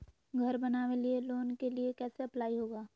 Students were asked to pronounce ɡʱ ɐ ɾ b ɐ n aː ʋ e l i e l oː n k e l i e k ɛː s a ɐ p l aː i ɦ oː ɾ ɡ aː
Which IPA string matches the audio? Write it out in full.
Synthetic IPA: ɡʱ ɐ ɾ b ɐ n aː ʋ e l i e l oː n k e l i e k ɛː s e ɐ p l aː i ɦ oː ɡ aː